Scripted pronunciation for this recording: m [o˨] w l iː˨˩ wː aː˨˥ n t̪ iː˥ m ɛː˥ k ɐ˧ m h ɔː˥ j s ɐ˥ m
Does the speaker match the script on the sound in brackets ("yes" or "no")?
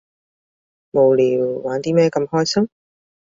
yes